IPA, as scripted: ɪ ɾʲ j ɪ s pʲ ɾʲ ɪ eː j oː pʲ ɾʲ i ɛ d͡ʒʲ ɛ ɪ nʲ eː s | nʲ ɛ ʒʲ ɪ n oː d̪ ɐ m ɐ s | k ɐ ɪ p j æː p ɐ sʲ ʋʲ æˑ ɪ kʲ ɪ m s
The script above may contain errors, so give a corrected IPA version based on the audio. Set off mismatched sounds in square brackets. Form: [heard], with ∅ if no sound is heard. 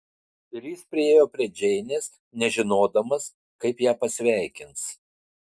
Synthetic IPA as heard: ɪ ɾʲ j ɪ s pʲ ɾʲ ɪ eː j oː pʲ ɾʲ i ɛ d͡ʒʲ ɛ ɪ nʲ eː s | nʲ ɛ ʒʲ ɪ n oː d̪ ɐ m ɐ s | k ɐ ɪ p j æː p ɐ sʲ ʋʲ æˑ ɪ kʲ ɪ [n] s